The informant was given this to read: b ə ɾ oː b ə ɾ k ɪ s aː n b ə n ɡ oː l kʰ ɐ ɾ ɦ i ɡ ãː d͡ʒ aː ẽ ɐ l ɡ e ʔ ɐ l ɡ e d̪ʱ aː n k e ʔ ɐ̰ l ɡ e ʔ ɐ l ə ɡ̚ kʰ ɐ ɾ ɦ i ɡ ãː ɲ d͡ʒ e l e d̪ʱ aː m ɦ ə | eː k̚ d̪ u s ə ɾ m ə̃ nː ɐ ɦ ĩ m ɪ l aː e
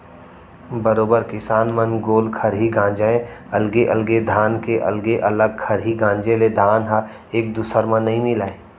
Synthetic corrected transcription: b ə ɾ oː b ə ɾ k ɪ s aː n m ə n ɡ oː l kʰ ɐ ɾ ɦ i ɡ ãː d͡ʒ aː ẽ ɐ l ɡ e ʔ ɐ l ɡ e d̪ʱ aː n k e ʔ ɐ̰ l ɡ e ʔ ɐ l ə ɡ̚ kʰ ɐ ɾ ɦ i ɡ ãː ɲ d͡ʒ e l e d̪ʱ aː n ɦ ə | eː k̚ d̪ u s ə ɾ m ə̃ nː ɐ ɦ ĩ m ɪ l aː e